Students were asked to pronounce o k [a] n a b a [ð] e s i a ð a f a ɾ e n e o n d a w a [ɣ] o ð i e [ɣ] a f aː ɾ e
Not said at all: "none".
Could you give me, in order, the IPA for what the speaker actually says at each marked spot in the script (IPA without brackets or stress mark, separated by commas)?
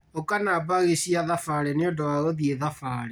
a, ɣ, ɣ, ð